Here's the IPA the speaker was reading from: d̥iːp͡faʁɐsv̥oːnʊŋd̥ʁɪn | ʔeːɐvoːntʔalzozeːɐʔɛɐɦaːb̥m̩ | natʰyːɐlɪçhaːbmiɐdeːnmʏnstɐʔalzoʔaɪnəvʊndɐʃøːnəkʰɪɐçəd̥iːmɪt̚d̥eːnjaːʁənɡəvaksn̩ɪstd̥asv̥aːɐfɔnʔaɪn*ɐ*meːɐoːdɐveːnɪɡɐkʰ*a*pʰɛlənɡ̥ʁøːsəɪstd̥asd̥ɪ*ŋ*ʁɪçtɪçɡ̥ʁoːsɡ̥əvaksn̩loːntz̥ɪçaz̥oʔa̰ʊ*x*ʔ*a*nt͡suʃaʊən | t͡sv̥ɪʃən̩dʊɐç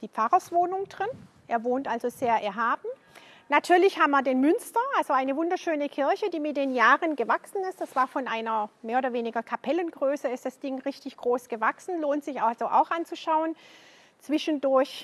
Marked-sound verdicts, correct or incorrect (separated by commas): correct, correct, correct, correct, correct